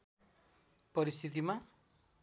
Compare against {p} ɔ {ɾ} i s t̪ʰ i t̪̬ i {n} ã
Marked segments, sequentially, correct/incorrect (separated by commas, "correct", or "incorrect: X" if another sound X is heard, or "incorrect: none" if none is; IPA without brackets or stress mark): correct, correct, incorrect: m